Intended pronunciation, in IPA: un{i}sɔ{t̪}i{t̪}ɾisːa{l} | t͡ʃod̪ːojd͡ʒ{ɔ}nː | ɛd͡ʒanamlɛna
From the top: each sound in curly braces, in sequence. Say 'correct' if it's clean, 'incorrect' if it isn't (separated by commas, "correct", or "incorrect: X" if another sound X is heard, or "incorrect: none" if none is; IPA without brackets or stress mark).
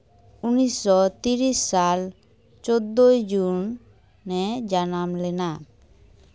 correct, correct, incorrect: none, correct, incorrect: u